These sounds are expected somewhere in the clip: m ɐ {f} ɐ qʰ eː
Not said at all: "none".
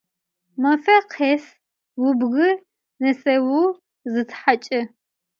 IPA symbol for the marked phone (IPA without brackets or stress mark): f